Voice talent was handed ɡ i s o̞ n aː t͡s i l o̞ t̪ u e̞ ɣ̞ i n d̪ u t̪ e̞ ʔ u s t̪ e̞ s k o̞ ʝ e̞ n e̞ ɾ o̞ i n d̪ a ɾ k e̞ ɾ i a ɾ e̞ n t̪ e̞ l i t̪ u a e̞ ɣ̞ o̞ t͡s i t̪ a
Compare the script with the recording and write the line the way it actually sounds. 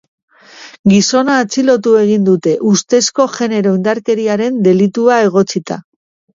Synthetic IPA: ɡ i s o̞ n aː t͡s i l o̞ t̪ u e̞ ɣ̞ i n d̪ u t̪ e̞ ʔ u s t̪ e̞ s k o̞ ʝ e̞ n e̞ ɾ o̞ i n d̪ a ɾ k e̞ ɾ i a ɾ e̞ n d̪ e̞ l i t̪ u a e̞ ɣ̞ o̞ t͡s i t̪ a